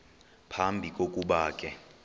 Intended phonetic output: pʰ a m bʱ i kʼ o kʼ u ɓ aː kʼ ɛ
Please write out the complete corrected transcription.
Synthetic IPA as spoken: pʰ a m bʱ i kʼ o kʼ u ɓ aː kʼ ɛ